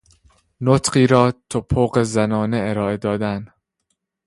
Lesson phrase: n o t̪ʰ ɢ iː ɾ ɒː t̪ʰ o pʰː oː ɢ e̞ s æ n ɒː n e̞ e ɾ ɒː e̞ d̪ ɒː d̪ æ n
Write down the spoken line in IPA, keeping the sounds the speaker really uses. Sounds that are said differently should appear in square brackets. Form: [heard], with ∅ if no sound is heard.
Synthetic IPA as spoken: n o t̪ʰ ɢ iː ɾ ɒː t̪ʰ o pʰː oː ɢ e̞ [z] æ n ɒː n e̞ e ɾ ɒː e̞ d̪ ɒː d̪ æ n